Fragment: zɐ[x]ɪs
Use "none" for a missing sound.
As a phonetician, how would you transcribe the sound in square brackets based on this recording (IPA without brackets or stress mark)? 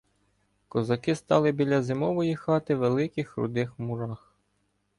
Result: k